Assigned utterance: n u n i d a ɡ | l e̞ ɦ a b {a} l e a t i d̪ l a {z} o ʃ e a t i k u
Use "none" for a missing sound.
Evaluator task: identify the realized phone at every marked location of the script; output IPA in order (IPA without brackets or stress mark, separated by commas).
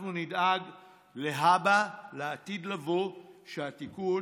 a, v